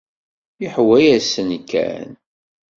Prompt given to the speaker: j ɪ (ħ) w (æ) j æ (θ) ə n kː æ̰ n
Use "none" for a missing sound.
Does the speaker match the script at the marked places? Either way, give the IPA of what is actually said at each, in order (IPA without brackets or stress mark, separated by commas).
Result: ħ, æ, s